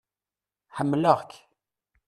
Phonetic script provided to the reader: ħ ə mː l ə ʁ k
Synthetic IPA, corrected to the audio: ħ ə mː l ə ʁ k